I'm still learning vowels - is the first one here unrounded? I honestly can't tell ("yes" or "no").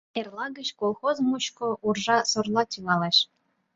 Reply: yes